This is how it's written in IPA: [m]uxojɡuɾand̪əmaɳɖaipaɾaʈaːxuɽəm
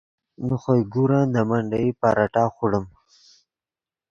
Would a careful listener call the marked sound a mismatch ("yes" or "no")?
yes